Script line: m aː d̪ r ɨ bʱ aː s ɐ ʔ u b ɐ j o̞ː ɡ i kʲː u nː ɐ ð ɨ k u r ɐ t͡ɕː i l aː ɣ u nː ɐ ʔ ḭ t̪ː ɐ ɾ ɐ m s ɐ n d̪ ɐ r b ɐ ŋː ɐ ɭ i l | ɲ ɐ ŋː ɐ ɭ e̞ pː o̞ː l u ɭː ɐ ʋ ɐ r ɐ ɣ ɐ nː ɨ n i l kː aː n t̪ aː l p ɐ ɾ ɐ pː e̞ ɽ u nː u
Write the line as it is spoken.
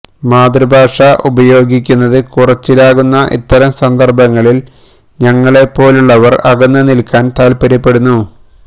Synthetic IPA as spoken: m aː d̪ r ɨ bʱ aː ʂ ɐ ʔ u b ɐ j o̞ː ɡ i kʲː u nː ɐ ð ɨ k u r ɐ t͡ɕː i l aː ɣ u nː ɐ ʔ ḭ t̪ː ɐ ɾ ɐ m s ɐ n d̪ ɐ r b ɐ ŋː ɐ ɭ i l | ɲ ɐ ŋː ɐ ɭ e̞ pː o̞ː l u ɭː ɐ ʋ ɐ r ɐ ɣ ɐ nː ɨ n i l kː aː n t̪ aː l p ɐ ɾ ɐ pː e̞ ɽ u nː u